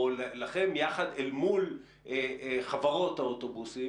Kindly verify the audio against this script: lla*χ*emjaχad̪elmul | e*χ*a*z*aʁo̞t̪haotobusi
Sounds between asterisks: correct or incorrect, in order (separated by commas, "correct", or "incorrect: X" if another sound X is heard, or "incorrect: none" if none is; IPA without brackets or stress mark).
correct, correct, incorrect: v